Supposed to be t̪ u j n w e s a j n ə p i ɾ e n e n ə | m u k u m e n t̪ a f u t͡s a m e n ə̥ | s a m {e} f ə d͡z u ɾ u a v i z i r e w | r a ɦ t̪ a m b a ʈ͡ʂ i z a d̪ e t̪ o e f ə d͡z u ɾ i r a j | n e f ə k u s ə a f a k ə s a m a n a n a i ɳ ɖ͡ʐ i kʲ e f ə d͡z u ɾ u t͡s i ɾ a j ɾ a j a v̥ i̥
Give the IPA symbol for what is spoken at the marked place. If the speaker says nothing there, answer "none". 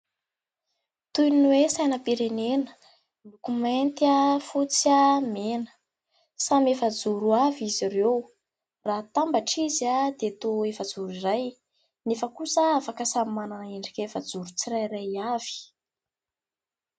e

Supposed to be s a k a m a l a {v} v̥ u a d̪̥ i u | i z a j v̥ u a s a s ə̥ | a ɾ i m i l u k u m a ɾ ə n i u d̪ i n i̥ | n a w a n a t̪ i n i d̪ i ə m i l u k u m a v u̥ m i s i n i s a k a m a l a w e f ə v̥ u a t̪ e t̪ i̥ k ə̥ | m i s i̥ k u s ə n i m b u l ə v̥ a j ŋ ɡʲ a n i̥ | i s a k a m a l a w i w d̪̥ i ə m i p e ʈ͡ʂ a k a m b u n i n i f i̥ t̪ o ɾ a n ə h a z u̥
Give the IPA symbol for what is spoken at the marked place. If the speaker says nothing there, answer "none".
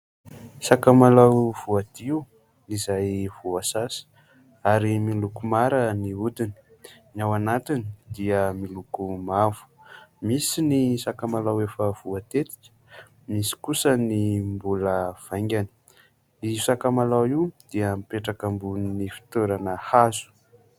w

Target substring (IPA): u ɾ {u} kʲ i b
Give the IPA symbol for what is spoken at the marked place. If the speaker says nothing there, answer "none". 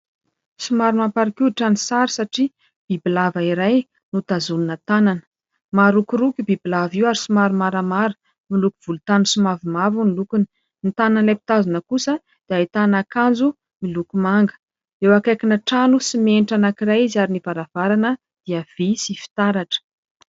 u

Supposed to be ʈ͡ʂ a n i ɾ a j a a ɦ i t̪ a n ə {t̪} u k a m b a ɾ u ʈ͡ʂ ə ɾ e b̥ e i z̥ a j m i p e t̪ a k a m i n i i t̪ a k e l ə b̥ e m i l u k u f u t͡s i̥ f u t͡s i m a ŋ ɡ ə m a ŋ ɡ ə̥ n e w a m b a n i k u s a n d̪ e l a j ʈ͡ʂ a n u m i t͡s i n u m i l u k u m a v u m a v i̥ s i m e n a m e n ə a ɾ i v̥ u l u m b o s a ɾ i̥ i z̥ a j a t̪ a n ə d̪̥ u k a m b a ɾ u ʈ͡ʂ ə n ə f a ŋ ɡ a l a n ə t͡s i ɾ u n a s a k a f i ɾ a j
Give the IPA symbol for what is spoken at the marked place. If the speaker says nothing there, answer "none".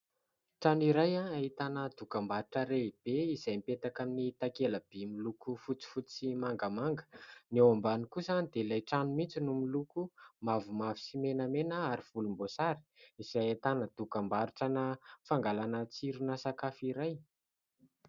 d̪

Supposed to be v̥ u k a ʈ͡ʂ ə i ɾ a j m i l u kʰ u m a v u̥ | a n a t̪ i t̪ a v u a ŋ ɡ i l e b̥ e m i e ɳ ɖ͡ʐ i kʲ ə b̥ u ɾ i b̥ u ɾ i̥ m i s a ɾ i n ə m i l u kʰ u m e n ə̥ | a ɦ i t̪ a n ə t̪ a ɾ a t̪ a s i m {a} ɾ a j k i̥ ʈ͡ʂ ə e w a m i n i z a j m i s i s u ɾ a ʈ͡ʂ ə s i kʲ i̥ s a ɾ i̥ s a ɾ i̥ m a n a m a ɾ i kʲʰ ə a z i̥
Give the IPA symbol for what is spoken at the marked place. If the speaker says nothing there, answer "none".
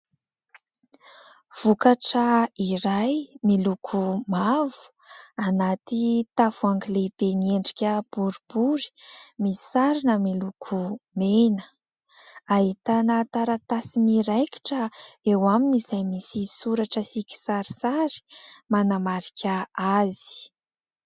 i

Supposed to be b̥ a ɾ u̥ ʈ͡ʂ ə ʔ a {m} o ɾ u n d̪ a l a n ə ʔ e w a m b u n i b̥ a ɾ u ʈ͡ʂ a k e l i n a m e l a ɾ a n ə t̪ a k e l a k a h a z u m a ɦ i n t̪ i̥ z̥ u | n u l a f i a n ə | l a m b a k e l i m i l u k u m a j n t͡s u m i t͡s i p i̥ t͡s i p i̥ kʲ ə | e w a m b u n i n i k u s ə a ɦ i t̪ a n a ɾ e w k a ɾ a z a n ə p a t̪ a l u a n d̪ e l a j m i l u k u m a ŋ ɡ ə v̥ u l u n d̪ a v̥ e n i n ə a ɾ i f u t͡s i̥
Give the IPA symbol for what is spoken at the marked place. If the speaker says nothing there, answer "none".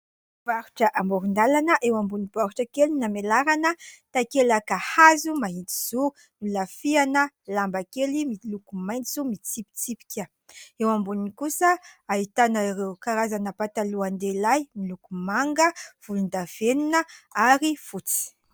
m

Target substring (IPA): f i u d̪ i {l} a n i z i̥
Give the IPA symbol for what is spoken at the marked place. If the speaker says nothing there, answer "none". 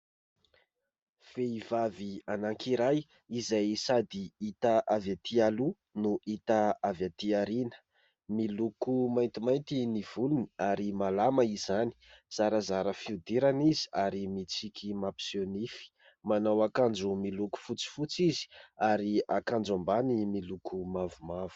ɾ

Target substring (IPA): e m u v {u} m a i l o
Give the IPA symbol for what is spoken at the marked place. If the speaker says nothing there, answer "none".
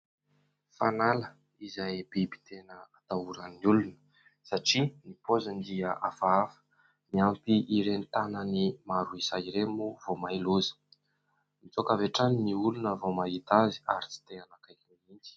o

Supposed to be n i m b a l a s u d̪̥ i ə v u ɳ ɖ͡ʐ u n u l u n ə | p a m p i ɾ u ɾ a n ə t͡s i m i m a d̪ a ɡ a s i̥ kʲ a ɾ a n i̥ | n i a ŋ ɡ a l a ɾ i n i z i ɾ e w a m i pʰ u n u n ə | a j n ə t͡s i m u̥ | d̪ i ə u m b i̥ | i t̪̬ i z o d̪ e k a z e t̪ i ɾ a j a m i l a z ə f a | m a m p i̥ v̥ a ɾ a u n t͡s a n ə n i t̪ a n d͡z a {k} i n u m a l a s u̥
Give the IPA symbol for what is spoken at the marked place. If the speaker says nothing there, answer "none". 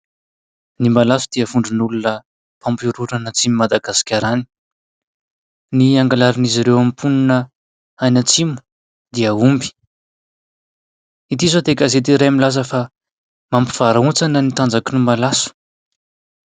k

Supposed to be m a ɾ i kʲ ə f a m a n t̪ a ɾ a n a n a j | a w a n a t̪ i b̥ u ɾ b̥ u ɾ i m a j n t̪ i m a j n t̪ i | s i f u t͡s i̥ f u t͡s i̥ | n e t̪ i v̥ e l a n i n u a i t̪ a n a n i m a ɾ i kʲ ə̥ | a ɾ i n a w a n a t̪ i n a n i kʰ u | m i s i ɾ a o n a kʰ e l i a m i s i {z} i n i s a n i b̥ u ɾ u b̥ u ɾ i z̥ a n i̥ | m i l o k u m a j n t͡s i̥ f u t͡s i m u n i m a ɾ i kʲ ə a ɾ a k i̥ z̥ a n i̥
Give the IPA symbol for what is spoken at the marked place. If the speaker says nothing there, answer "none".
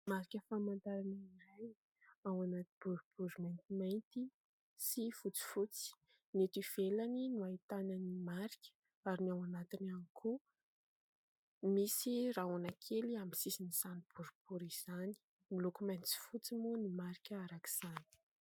s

